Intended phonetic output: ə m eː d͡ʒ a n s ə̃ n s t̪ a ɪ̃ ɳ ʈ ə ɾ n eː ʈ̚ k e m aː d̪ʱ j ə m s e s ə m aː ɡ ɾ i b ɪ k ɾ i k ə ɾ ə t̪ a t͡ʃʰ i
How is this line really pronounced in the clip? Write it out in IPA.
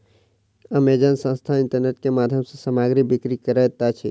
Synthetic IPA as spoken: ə m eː d͡ʒ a n s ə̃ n s t̪ʰ a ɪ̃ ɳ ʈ ə ɾ n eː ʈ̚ k e m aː d̪ʱ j ə m s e s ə m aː ɡ ɾ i b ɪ k ɾ i k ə ɾ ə t̪ a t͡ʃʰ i